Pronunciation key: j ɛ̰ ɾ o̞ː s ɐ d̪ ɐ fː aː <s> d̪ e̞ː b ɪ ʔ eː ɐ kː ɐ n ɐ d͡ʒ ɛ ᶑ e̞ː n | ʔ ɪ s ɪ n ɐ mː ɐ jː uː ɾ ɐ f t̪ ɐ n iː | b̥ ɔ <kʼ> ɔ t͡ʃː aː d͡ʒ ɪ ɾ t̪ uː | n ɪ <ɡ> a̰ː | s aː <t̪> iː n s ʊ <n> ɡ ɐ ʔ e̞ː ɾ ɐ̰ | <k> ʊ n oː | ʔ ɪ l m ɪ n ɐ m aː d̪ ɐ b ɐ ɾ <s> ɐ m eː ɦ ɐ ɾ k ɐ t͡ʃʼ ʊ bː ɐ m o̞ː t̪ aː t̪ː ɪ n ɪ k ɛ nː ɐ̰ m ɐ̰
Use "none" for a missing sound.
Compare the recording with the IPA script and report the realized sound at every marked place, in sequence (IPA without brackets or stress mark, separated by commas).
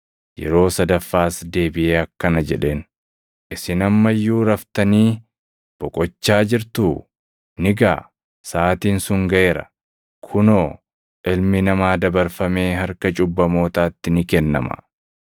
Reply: s, kʼ, ɡ, t̪, ŋ, kʰ, f